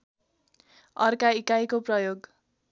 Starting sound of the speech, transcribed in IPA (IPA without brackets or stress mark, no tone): ʌ